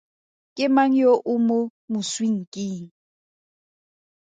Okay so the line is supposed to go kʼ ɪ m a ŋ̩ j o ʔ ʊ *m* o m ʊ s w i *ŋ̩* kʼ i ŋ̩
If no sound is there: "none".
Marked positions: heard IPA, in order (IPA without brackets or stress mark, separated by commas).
m, ŋ̩